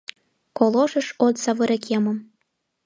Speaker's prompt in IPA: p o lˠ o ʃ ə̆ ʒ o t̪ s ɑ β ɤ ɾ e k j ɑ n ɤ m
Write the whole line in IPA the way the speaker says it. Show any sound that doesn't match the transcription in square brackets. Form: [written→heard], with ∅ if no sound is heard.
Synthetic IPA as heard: [p→k] o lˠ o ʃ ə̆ [ʒ→ʃ] o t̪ s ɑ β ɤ ɾ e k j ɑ [n→m] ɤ m